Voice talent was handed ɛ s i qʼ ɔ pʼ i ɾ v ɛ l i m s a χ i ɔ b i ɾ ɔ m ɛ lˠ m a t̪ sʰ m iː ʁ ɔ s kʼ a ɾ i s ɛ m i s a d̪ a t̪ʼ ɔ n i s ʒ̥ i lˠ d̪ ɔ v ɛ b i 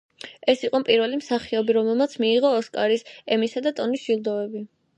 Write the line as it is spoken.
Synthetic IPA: ɛ s i qʼ ɔ pʼ i ɾ v ɛ l i m s a χ i ɔ b i ɾ ɔ m ɛ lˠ m a t̪ sʰ m iː ʁ ɔː s kʼ a ɾ i s ɛ m i s a d̪ a t̪ʼ ɔ n i s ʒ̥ i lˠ d̪ ɔ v ɛ b i